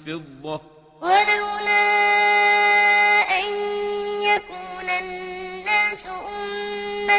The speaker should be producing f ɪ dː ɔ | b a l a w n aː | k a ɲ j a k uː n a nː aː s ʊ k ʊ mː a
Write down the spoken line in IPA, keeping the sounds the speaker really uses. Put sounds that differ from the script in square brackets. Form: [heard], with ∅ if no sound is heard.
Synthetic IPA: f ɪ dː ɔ | [w] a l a w n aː | [ʔ] a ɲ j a k uː n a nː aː s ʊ [ʔ] ʊ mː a